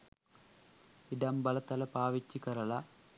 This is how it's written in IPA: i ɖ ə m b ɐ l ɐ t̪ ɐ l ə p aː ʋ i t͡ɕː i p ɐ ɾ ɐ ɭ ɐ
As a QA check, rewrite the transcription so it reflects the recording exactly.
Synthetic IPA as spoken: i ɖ ɐ m b ɐ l ɐ t̪ ɐ l ɐ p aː ʋ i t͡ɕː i k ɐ ɾ ɐ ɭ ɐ